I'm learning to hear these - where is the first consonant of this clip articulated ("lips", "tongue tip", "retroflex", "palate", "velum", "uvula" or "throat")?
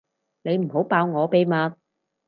tongue tip